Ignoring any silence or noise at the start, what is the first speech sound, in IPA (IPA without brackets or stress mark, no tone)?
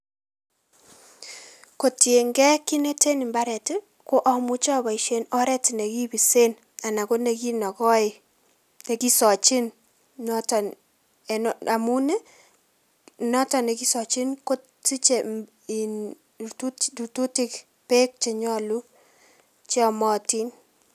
k